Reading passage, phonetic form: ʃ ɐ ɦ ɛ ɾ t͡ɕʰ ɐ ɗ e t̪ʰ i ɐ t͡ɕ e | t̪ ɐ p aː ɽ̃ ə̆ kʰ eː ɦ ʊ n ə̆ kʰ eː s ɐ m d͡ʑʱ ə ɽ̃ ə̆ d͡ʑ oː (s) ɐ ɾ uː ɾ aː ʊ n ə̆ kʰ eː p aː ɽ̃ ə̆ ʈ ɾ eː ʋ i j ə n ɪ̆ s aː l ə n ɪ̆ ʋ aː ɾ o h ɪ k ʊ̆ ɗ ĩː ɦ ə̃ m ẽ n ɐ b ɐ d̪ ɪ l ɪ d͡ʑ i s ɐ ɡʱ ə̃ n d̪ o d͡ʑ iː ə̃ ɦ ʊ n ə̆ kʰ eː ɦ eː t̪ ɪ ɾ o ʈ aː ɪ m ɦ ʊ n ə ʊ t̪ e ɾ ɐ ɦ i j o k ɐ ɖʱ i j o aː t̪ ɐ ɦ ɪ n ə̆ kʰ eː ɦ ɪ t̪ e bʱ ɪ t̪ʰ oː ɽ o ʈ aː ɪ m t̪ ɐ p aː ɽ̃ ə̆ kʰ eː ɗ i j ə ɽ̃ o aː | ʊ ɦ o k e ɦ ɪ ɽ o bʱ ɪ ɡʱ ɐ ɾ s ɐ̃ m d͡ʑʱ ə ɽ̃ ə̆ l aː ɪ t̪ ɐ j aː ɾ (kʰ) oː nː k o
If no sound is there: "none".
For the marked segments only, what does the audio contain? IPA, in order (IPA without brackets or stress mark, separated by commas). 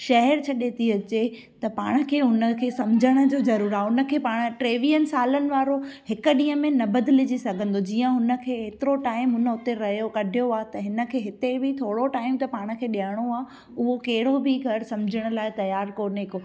z, k